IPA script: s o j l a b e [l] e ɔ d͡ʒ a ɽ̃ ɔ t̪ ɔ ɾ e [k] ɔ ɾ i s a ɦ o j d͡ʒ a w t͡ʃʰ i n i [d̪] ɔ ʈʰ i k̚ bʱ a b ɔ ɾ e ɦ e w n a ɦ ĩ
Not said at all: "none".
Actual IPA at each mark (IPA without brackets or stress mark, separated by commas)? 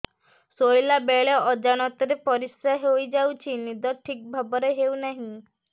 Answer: ɭ, p, d̪